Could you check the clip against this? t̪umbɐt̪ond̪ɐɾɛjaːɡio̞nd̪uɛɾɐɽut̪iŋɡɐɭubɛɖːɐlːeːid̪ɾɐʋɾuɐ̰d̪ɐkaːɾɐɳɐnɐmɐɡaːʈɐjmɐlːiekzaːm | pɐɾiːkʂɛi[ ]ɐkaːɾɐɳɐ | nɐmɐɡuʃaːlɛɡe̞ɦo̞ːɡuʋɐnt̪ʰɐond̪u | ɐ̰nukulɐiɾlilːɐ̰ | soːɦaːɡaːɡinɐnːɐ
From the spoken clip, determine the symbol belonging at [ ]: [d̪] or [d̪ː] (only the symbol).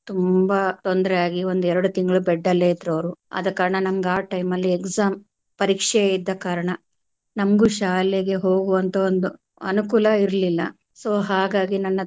d̪ː